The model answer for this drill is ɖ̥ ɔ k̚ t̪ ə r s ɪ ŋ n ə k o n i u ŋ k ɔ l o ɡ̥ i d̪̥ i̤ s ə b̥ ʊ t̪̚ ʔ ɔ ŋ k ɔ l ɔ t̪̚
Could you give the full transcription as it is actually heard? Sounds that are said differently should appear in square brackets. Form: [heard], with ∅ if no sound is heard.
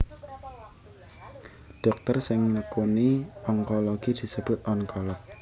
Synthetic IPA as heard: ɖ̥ ɔ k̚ t̪ ə r s ɪ ŋ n ə k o n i [ɔ] ŋ k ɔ l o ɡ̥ i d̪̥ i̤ s ə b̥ ʊ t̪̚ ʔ ɔ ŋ k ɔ l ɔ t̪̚